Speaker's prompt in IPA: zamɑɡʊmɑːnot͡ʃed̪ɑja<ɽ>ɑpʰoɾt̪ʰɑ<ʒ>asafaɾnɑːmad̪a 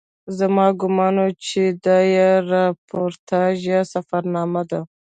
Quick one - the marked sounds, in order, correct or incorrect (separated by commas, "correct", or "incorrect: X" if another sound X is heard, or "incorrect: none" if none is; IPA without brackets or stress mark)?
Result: incorrect: ɾ, correct